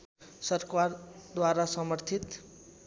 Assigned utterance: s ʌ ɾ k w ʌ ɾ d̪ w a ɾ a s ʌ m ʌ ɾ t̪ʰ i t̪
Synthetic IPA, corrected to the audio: s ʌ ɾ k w a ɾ d̪ w a ɾ a s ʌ m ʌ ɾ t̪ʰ i t̪

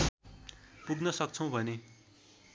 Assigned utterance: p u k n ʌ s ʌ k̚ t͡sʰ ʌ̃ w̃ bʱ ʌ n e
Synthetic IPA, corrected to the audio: p u ɡ n ʌ s ʌ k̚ t͡sʰ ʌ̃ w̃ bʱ ʌ n e

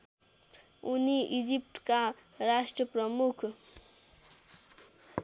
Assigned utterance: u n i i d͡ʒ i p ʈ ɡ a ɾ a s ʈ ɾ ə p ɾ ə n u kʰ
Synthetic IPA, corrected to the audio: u n i i d͡ʒ i p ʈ k a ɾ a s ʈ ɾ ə p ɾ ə m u kʰ

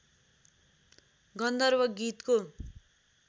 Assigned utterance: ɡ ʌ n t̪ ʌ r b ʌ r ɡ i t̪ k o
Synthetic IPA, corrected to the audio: ɡ ʌ n d̪ ʌ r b ʌ ɡ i t̪ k o

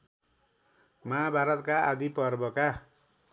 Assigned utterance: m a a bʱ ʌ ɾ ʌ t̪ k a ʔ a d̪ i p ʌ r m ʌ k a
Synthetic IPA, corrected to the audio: m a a bʱ a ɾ ʌ t̪ k a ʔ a d̪ i p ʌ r b ʌ k a

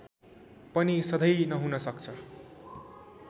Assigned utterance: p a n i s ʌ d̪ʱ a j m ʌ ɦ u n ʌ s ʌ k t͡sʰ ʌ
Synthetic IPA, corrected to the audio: p ʌ n i s ʌ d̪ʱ ʌ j n ʌ ɦ u n ʌ s ʌ k t͡sʰ ʌ

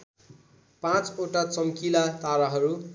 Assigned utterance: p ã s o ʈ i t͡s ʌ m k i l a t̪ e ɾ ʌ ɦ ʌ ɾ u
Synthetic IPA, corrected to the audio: p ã t͡s o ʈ a t͡s ʌ m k i l a t̪ a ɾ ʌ ɦ ʌ ɾ u

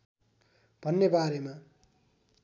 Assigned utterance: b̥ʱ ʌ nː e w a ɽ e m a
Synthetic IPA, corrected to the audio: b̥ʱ ʌ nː e b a ɾ e m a

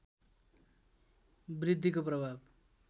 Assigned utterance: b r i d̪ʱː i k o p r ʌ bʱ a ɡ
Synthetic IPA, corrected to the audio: b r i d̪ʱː i k o p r ʌ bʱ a b

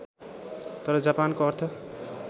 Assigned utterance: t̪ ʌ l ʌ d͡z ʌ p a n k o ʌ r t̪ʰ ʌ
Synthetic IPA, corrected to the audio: t̪ ʌ ɾ ʌ d͡z a p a n k o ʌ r t̪ʰ ʌ

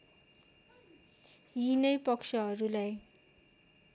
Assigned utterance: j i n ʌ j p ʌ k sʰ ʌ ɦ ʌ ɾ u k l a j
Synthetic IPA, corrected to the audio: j i n ʌ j p ʌ k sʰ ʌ ɦ ʌ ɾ u l a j

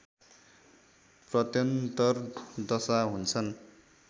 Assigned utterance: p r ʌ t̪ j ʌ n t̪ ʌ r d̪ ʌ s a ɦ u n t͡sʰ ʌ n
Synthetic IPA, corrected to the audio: p r ʌ t̪ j ʌ n t̪ ʌ r d̪ ʌ s a ɦ u n t͡sʰ ʌ n

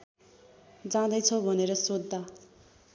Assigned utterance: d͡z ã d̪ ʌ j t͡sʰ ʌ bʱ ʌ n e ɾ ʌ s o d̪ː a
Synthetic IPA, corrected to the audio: d͡z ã d̪ ʌ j t͡sʰ ʌ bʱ ʌ n e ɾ ʌ s o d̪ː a

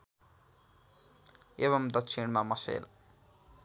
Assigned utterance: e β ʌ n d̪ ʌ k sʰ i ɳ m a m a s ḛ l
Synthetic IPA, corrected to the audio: e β ʌ m d̪ ʌ k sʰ i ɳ m a m ʌ s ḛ l

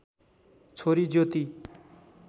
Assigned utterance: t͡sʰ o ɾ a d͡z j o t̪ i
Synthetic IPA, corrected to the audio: t͡sʰ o ɾ i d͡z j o t̪ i

